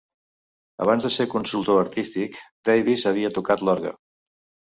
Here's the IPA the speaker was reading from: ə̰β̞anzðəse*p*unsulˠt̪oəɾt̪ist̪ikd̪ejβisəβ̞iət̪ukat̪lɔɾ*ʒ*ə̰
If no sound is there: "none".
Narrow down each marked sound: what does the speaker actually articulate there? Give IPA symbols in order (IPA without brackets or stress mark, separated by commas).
k, ɣ